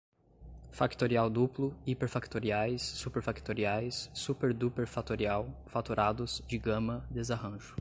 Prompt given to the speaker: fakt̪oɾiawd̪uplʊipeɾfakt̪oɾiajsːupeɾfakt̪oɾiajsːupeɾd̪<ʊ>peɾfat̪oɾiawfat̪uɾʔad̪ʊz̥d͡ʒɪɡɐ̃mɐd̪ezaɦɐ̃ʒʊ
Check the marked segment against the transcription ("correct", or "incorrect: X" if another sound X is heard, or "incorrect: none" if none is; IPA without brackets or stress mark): incorrect: u